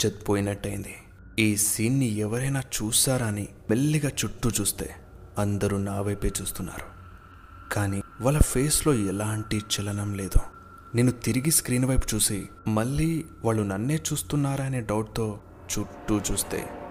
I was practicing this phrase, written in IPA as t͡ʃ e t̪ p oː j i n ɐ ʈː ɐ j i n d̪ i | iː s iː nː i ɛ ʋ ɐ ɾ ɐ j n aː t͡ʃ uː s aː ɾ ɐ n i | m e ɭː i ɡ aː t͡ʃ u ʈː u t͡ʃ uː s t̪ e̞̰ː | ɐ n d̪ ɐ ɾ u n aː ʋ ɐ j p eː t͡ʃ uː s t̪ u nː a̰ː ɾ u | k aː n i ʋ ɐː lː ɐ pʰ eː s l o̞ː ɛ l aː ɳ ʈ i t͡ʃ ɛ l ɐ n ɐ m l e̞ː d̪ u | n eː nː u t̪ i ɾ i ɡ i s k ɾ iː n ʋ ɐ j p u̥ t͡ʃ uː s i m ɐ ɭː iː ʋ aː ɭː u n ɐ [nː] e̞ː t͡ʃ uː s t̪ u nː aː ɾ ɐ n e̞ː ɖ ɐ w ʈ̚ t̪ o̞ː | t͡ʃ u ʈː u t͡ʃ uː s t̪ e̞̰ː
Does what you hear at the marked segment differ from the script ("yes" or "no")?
no